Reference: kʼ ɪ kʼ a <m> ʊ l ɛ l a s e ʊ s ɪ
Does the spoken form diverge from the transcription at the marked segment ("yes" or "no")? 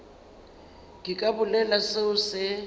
yes